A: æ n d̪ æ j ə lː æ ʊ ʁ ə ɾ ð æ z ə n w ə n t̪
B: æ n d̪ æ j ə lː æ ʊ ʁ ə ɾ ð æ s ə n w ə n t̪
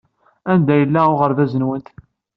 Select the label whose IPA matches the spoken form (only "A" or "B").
A